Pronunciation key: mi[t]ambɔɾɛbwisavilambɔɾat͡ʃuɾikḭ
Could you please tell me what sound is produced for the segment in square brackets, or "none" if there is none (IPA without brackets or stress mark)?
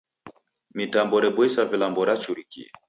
t